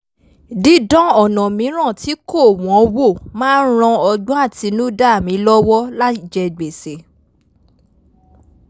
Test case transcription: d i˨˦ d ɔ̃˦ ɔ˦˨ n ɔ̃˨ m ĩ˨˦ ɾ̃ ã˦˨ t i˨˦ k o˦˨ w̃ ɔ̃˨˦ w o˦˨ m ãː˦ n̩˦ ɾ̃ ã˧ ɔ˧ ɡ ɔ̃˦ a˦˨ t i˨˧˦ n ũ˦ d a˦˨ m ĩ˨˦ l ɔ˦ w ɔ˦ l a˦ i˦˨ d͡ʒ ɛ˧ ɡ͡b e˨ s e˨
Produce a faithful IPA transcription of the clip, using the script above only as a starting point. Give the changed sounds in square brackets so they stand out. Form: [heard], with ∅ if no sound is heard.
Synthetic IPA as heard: d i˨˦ d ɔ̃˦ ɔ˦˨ n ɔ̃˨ m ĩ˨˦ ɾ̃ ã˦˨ t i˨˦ k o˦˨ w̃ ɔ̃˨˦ w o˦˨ m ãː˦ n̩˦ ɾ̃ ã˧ ɔ˧ [ɡ͡b] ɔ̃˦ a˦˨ t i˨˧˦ n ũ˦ d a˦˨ m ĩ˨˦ l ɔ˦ w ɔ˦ l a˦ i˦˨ d͡ʒ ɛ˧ ɡ͡b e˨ s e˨